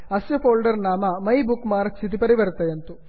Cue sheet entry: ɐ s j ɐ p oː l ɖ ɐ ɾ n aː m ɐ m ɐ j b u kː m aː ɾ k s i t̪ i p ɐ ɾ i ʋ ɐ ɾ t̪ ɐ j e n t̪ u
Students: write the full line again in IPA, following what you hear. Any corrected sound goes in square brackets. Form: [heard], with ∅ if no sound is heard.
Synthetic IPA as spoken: ɐ s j ɐ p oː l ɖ ɐ ɾ n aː m ɐ m ɐ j b u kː m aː ɾ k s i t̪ i p ɐ ɾ i ʋ ɐ ɾ t̪ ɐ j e n t̪ u